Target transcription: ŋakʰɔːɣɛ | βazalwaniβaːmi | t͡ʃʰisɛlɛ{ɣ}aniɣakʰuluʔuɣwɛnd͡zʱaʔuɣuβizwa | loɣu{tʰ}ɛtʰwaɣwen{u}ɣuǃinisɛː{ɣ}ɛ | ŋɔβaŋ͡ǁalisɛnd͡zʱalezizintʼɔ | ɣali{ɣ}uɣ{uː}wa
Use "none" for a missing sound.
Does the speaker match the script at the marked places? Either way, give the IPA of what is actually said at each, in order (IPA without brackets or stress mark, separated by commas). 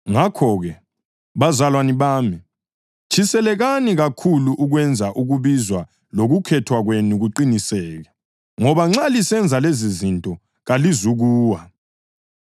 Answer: ɣ, kʰ, u, ɣ, z, uː